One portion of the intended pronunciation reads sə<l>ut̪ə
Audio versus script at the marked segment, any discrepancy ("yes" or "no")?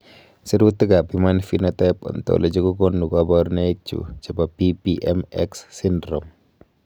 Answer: yes